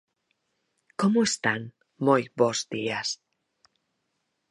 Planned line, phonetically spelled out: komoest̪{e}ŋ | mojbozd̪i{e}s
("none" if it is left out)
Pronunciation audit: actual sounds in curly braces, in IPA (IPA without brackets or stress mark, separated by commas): a, a